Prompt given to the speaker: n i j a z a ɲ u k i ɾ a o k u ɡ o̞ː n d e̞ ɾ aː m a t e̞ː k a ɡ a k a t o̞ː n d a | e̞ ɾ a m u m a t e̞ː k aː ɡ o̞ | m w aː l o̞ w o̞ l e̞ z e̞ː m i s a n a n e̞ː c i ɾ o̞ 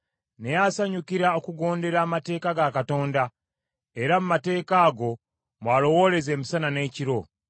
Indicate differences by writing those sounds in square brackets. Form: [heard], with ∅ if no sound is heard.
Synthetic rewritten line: n [e] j a [s] a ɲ u k i ɾ a o k u ɡ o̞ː n d e̞ ɾ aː m a t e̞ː k a ɡ a k a t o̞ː n d a | e̞ ɾ a m u m a t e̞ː k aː ɡ o̞ | m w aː l o̞ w o̞ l e̞ z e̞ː m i s a n a n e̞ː c i ɾ o̞